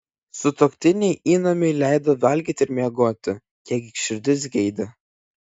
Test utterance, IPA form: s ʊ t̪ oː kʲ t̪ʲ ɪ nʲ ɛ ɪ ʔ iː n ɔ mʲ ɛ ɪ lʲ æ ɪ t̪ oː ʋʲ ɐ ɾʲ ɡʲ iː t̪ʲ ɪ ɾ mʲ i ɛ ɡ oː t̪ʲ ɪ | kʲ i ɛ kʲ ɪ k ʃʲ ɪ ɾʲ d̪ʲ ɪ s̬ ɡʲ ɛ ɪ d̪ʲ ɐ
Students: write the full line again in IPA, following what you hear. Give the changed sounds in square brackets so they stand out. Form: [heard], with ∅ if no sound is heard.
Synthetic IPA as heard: s ʊ t̪ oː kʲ t̪ʲ ɪ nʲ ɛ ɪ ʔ iː n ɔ mʲ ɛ ɪ lʲ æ ɪ [d̪] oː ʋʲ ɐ [lʲ] ɡʲ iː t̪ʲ ɪ ɾ mʲ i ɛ ɡ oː t̪ʲ ɪ | kʲ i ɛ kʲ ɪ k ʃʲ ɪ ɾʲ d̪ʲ ɪ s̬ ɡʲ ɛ ɪ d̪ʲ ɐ

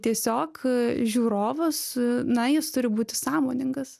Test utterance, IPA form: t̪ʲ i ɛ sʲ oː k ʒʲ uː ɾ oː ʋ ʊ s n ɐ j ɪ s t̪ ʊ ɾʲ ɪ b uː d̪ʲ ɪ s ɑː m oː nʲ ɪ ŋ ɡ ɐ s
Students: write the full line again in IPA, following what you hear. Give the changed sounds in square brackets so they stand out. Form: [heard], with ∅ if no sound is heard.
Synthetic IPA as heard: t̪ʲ i ɛ sʲ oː k ʒʲ uː ɾ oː ʋ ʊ s n ɐ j ɪ s t̪ ʊ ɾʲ ɪ b uː [t̪ʲ] ɪ s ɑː m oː nʲ ɪ ŋ ɡ ɐ s

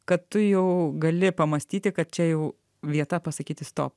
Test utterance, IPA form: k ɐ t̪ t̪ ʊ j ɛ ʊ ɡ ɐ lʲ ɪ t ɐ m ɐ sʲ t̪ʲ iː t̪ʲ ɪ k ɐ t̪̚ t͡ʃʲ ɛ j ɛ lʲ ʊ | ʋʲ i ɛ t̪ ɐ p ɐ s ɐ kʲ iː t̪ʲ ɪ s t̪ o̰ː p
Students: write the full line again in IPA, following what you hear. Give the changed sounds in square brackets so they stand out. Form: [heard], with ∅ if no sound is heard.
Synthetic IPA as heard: k ɐ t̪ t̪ ʊ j ɛ ʊ ɡ ɐ lʲ ɪ [p] ɐ m ɐ sʲ t̪ʲ iː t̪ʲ ɪ k ɐ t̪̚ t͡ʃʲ ɛ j ɛ [∅] ʊ | ʋʲ i ɛ t̪ ɐ p ɐ s ɐ kʲ iː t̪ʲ ɪ s t̪ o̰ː p

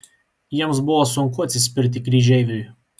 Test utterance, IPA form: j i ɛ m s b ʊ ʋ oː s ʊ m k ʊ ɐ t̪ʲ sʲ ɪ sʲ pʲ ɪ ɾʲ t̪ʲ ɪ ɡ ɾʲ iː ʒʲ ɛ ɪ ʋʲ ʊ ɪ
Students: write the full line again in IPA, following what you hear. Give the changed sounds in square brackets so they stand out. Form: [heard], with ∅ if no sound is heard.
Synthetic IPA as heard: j i ɛ m s b ʊ ʋ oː s ʊ [ŋ] k ʊ ɐ t̪ʲ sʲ ɪ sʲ pʲ ɪ ɾʲ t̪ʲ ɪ [k] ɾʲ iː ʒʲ ɛ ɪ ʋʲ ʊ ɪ

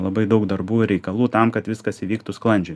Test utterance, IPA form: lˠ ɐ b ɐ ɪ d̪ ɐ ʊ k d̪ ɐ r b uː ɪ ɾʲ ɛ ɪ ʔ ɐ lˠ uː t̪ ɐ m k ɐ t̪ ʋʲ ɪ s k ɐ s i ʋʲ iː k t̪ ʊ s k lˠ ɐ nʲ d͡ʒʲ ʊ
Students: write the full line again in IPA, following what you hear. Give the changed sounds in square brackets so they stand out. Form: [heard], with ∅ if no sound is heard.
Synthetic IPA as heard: lˠ ɐ b ɐ ɪ d̪ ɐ ʊ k d̪ ɐ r b uː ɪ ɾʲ ɛ ɪ [k] ɐ lˠ uː t̪ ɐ m k ɐ t̪ ʋʲ ɪ s k ɐ s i ʋʲ iː k t̪ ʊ s k lˠ ɐ nʲ d͡ʒʲ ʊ

